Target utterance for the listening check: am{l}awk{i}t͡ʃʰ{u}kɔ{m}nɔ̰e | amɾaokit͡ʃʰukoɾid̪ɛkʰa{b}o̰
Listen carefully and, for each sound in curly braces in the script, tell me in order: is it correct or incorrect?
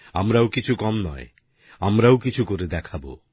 incorrect: ɾ, correct, correct, correct, correct

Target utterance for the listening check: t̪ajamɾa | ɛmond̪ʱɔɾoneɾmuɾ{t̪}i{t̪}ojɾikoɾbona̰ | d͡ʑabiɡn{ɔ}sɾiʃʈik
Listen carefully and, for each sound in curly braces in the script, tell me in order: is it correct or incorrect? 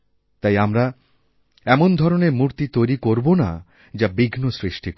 correct, correct, incorrect: o

